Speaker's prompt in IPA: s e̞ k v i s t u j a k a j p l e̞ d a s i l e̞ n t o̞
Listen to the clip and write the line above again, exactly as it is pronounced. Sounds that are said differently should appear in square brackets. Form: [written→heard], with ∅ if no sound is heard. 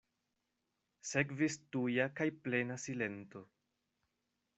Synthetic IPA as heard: s e̞ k v i s t u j a k a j p l e̞ [d→n] a s i l e̞ n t o̞